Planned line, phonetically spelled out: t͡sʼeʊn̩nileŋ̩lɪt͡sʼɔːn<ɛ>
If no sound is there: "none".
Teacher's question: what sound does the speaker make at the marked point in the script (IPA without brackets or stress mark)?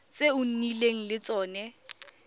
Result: ɛ